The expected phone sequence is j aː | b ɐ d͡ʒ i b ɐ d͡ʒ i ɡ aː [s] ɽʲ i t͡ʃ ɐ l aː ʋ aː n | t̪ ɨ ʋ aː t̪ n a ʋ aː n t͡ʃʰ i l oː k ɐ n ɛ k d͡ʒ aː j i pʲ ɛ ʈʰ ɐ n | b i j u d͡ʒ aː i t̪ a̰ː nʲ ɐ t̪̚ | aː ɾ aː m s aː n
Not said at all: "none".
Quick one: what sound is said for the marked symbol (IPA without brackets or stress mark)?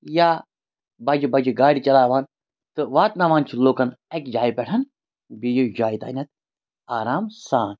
none